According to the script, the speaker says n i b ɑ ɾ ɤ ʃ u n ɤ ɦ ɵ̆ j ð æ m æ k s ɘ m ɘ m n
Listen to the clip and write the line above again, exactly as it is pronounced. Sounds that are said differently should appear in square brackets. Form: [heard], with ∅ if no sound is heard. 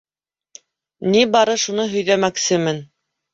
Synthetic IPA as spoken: n i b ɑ ɾ ɤ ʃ u n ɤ ɦ ɵ̆ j ð æ m æ k s ɘ m ɘ [∅] n

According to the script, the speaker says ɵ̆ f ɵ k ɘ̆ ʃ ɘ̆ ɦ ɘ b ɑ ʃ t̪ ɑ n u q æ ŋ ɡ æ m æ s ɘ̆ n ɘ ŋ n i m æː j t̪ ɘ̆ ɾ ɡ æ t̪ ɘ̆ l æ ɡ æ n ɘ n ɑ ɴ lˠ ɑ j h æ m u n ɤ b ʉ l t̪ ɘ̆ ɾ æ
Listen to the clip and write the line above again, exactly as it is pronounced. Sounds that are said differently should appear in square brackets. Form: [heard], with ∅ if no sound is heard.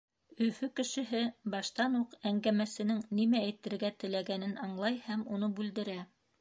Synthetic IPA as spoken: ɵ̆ f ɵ k ɘ̆ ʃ ɘ̆ ɦ ɘ b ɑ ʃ t̪ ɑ n u q æ ŋ ɡ æ m æ s ɘ̆ n ɘ ŋ n i m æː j t̪ ɘ̆ ɾ ɡ æ t̪ ɘ̆ l æ ɡ æ n ɘ n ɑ ɴ lˠ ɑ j h æ m u n ɤ b ʉ l [d̪] ɘ̆ ɾ æ

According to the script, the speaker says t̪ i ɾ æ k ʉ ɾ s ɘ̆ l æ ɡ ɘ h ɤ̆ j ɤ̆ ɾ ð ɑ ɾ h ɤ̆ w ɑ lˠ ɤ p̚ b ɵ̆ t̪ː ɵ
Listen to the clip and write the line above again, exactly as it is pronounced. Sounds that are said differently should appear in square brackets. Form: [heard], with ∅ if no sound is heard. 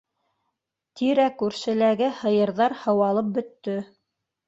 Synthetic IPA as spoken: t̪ i ɾ æ k ʉ ɾ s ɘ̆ l æ ɡ ɘ h ɤ̆ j ɤ̆ ɾ ð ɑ ɾ h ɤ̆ w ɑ lˠ ɤ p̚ b ɵ̆ t̪ː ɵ

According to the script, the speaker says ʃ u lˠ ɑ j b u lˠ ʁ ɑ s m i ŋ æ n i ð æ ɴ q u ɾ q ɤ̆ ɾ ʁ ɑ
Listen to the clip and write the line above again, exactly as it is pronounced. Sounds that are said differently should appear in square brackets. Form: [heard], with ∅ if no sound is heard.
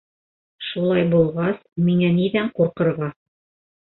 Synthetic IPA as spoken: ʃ u lˠ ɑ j b u lˠ ʁ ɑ s m i ŋ æ n i ð æ ɴ q u ɾ q ɤ̆ ɾ ʁ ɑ

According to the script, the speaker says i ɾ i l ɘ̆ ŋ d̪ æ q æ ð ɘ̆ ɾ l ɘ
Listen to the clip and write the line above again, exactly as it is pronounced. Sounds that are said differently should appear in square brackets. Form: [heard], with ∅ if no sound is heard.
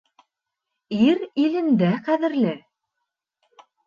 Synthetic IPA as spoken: i ɾ i l ɘ̆ [n] d̪ æ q æ ð ɘ̆ ɾ l ɘ

